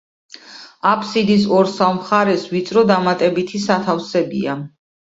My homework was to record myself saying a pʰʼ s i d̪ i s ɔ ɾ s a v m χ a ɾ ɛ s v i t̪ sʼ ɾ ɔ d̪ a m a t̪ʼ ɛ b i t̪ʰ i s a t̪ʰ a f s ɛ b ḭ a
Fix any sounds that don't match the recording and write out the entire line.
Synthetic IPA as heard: a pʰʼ s i d̪ i s ɔ ɾ s a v m χ a ɾ ɛ s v i t̪ sʼ ɾ ɔ d̪ a m a t̪ʼ ɛ b i t̪ʰ i s a t̪ʰ a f s ɛ b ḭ a